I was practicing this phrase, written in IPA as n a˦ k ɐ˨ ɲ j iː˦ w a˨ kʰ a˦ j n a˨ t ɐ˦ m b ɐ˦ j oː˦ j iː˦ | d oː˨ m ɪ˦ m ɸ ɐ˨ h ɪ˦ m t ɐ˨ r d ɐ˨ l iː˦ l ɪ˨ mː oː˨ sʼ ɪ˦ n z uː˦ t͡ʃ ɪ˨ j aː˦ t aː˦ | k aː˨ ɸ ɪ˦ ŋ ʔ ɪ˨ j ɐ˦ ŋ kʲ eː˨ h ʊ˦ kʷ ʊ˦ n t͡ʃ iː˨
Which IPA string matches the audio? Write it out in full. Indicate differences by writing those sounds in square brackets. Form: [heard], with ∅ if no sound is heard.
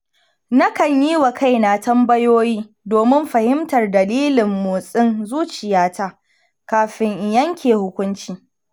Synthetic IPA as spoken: n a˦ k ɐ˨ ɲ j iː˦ w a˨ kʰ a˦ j n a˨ t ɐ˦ m b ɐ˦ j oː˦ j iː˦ | d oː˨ m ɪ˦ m ɸ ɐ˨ h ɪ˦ m t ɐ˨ r d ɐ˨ l iː˦ l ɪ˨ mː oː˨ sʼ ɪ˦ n z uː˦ t͡ʃ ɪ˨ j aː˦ t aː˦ | k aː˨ ɸ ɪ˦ ŋ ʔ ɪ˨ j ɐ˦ ŋ kʲ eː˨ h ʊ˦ kʷ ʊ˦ n t͡ʃ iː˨